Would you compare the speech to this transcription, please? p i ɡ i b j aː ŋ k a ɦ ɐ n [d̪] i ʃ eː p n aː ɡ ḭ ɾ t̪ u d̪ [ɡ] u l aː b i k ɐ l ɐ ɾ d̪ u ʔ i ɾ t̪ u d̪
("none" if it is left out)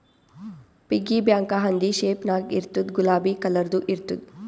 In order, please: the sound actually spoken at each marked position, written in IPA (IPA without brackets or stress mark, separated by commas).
d̪, ɡ